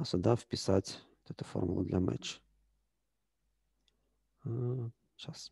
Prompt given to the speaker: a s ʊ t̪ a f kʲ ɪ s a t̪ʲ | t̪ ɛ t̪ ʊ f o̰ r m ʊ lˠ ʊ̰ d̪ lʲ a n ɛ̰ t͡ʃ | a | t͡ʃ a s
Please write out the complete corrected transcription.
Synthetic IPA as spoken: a s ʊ d̪ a f pʲ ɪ s a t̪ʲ | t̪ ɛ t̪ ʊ f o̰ r m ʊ lˠ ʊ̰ d̪ lʲ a m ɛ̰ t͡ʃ | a | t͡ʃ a s